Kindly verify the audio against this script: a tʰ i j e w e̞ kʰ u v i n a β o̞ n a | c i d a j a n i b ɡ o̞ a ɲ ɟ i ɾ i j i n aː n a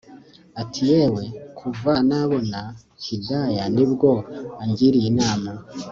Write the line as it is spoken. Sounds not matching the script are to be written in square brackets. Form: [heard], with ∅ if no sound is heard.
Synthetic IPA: a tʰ i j e w e̞ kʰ u v [a] n a β o̞ n a | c i d a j a n i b ɡ o̞ a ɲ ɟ i ɾ i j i n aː [m] a